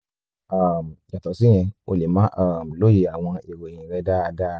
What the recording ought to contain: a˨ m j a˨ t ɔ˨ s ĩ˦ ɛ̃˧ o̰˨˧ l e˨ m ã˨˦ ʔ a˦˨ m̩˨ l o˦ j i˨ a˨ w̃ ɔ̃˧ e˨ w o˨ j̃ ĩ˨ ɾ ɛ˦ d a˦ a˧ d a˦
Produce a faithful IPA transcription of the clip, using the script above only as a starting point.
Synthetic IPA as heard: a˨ m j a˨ t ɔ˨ s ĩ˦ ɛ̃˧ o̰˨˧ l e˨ m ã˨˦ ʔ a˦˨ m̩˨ l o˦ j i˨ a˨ w̃ ɔ̃˧ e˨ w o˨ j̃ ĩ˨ ɾ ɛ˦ d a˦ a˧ d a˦